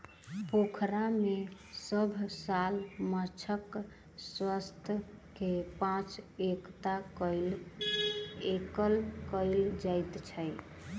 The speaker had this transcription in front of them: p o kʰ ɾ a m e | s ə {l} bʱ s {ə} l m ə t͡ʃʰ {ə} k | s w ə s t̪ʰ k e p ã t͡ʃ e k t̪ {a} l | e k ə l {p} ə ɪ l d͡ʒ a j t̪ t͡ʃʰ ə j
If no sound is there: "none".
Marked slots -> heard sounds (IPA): none, a, ə, a, k

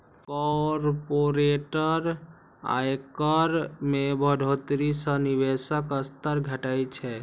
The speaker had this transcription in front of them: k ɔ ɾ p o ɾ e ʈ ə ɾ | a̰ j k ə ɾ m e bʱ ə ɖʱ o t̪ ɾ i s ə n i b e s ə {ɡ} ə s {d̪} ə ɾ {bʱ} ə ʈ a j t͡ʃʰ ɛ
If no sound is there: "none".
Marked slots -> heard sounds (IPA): k, t̪, ɡʱ

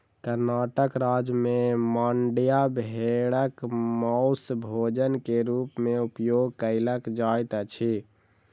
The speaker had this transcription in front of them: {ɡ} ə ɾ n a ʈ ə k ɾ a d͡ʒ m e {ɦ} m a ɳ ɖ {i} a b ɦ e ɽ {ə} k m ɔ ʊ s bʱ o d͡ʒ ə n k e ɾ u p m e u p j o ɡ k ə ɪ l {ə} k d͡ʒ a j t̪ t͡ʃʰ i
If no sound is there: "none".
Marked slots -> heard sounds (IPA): k, none, j, ə, ə

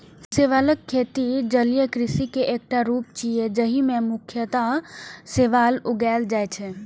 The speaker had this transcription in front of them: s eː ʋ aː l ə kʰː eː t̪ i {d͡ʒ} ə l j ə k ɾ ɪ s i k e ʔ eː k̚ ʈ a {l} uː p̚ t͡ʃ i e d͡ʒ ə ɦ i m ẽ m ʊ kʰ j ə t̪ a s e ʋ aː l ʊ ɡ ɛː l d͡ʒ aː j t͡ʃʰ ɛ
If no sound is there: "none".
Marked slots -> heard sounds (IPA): d͡ʒ, ɾ

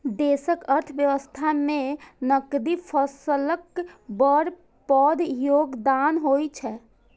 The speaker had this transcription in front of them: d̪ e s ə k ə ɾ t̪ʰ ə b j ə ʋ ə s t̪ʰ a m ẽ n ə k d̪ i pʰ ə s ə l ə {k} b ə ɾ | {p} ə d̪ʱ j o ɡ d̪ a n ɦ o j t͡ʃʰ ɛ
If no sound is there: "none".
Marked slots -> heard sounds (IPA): k, p

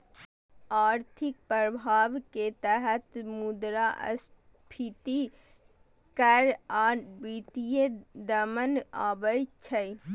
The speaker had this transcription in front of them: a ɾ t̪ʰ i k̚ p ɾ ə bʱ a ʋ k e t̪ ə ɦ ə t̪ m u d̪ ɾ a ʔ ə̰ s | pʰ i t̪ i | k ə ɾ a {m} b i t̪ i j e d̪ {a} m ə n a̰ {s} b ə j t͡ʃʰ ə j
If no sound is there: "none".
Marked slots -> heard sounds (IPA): none, ə, none

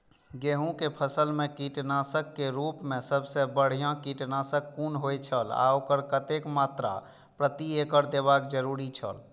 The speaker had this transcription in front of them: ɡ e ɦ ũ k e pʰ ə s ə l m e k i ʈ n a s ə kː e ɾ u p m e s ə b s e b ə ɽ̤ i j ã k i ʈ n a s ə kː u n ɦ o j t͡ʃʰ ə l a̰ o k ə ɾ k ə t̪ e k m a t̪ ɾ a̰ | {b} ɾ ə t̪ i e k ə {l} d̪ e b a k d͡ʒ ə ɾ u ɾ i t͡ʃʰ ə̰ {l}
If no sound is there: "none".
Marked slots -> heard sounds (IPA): p, ɾ, l

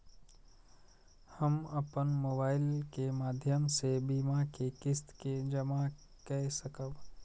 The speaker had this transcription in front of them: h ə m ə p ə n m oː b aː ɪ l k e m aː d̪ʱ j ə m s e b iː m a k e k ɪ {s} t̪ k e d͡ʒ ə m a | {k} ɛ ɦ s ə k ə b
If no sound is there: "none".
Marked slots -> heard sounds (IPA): s, k

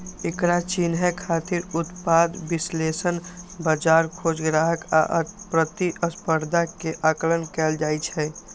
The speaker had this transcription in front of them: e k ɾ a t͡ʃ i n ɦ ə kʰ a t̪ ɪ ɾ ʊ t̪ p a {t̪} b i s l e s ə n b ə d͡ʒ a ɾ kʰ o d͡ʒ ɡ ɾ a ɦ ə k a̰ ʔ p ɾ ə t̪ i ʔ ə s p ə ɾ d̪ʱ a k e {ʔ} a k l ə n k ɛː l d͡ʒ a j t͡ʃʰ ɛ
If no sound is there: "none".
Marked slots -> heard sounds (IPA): d̪, ʔ

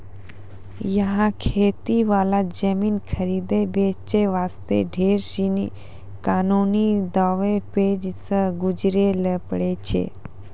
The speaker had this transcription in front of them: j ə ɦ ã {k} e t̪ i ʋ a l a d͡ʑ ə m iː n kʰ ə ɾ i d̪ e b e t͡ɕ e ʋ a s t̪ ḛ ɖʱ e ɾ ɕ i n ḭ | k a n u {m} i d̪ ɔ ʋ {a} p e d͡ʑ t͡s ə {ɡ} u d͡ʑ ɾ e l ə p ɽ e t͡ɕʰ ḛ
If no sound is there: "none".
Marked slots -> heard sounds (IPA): kʰ, n, e, ɡ

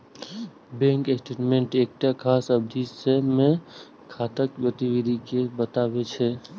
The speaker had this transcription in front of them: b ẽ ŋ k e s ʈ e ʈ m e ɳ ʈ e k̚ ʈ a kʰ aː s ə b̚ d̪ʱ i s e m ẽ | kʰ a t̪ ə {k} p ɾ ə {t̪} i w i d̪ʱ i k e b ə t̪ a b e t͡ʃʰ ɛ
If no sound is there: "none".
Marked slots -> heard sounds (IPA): k, t̪

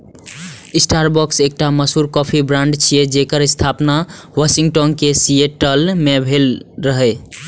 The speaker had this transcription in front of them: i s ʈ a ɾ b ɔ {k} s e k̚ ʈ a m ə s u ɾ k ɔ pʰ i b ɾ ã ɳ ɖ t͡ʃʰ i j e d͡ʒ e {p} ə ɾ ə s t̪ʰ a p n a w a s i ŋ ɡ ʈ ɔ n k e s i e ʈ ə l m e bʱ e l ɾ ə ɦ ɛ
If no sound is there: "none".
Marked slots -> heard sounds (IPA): k, k

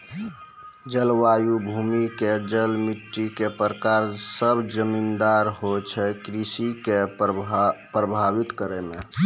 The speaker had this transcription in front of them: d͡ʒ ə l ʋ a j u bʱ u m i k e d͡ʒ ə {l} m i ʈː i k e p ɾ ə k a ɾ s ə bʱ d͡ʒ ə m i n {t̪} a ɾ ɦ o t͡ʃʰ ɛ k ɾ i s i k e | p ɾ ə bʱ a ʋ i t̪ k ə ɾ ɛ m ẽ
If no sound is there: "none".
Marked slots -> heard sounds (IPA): l, d̪

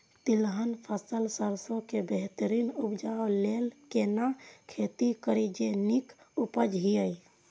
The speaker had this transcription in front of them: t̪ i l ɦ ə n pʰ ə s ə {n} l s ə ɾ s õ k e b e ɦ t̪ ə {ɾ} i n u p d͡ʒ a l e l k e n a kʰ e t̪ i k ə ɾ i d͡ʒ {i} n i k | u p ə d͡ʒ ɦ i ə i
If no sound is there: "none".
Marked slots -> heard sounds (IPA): none, ɾ, e

